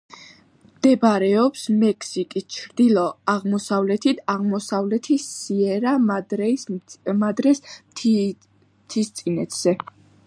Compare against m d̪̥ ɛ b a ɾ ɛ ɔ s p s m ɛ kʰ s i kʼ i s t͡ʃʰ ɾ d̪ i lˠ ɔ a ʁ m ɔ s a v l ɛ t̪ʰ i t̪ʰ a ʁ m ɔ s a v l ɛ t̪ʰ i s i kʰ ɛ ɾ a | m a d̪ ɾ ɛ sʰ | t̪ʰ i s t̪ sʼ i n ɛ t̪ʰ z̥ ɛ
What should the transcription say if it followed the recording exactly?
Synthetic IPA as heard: m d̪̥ ɛ b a ɾ ɛ ɔ p s m ɛ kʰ s i kʼ i s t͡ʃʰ ɾ d̪ i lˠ ɔ a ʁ m ɔ s a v l ɛ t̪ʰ i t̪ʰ a ʁ m ɔ s a v l ɛ t̪ʰ i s i ɛ ɾ a | m a d̪ ɾ ɛ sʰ | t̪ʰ i s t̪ sʼ i n ɛ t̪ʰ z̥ ɛ